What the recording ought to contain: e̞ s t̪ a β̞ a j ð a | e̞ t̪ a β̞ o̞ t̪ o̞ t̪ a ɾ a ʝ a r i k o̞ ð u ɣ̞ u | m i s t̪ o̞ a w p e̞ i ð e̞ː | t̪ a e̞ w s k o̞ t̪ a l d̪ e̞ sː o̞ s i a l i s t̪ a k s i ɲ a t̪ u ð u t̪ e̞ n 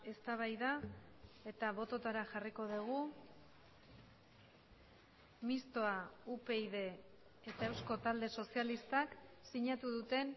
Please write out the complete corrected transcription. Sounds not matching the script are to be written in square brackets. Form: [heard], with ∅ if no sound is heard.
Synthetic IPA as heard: e̞ s t̪ a β̞ a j ð a | e̞ t̪ a β̞ o̞ t̪ o̞ t̪ a ɾ a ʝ a r i k o̞ ð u ɣ̞ u | m i s t̪ o̞ a [u] p e̞ i ð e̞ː | t̪ a e̞ w s k o̞ t̪ a l d̪ e̞ [s] o̞ s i a l i s t̪ a k s i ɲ a t̪ u ð u t̪ e̞ n

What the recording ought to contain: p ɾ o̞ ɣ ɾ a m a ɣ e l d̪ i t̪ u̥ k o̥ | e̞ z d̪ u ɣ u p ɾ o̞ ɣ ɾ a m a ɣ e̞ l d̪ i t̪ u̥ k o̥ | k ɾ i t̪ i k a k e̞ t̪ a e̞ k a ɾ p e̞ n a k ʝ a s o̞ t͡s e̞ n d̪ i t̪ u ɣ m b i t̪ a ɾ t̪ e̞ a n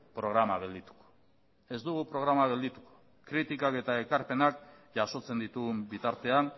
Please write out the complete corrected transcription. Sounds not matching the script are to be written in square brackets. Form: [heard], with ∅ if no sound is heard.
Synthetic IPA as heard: p ɾ o̞ ɣ ɾ a m a ɣ e l d̪ i t̪ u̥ k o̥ | e̞ z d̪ u ɣ u p ɾ o̞ ɣ ɾ a m a ɣ e̞ l d̪ i t̪ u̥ k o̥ | k ɾ i t̪ i k a k e̞ t̪ a e̞ k a ɾ p e̞ n a k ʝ a s o̞ t͡s e̞ n d̪ i t̪ u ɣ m b i t̪ a ɾ t̪ e̞ a n

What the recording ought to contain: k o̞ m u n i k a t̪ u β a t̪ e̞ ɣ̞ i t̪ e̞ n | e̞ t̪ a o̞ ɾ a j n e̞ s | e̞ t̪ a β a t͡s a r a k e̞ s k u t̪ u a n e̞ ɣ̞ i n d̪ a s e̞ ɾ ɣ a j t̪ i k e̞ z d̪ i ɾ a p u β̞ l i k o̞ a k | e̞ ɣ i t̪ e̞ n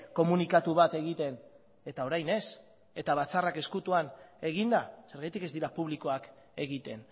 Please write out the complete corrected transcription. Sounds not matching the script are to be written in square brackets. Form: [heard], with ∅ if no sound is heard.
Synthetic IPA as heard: k o̞ m u n i k a t̪ u β a t̪ e̞ ɣ̞ i t̪ e̞ n | e̞ t̪ a o̞ ɾ a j n e̞ s | e̞ t̪ a β a t͡s a r a k e̞ s k u t̪ u a n e̞ ɣ̞ i n d̪ a s e̞ ɾ ɣ a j t̪ i k e̞ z d̪ i ɾ a p u β̞ l i k o̞ a k | e̞ ɣ i t̪ e̞ n

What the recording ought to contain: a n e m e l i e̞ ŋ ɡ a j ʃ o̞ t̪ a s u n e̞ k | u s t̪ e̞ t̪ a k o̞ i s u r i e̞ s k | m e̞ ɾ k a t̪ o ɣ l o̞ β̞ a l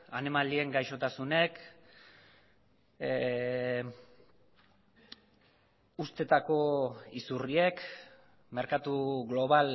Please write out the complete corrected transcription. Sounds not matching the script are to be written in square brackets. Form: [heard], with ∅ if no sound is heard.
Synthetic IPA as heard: a n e m [a] l i e̞ ŋ ɡ a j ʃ o̞ t̪ a s u n e̞ k | u s t̪ e̞ t̪ a k o̞ i s u r i e̞ [∅] k | m e̞ ɾ k a t̪ [u] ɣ l o̞ β̞ a l

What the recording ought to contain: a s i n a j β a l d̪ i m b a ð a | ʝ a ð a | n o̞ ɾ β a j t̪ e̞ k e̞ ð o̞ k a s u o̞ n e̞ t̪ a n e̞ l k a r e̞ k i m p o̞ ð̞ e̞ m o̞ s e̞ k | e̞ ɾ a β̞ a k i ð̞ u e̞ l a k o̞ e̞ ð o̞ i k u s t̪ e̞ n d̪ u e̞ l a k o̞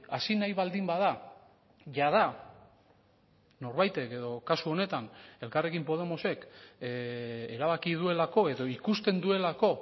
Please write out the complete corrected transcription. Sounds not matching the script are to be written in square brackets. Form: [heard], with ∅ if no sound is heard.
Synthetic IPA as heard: a s i n a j β a l d̪ i m b a ð a | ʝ a ð a | n o̞ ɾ β a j t̪ e̞ k e̞ ð o̞ k a s u o̞ n e̞ t̪ a n e̞ l k a r e̞ k i m p o̞ ð̞ e̞ m o̞ s e̞ k | e̞ ɾ a β̞ a k i ð̞ u e̞ l a k o̞ e̞ ð o̞ i k u s t̪ e̞ n d̪ u e̞ l a k o̞

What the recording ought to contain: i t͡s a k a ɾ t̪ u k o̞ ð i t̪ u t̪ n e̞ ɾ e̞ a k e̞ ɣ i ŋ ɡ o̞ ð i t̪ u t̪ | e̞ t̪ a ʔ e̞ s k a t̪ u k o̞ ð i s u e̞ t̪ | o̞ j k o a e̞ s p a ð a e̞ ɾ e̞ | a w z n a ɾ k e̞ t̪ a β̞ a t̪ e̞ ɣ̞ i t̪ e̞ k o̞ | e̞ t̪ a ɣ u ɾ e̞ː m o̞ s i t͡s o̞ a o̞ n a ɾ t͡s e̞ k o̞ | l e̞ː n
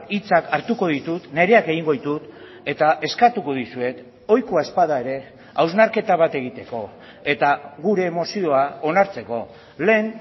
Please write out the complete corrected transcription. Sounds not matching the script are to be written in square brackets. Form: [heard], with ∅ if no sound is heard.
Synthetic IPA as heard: i t͡s a k a ɾ t̪ u k o̞ ð i t̪ u t̪ n e̞ ɾ e̞ a k e̞ ɣ i ŋ ɡ o̞ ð i t̪ u t̪ | e̞ t̪ a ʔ e̞ s k a t̪ u k o̞ ð i s u e̞ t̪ | o̞ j k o a e̞ s p a ð a e̞ ɾ e̞ | a w z n a ɾ k e̞ t̪ a β̞ a t̪ e̞ ɣ̞ i t̪ e̞ k o̞ | e̞ t̪ a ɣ u ɾ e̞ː m o̞ s i [∅] o̞ a o̞ n a ɾ t͡s e̞ k o̞ | l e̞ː n

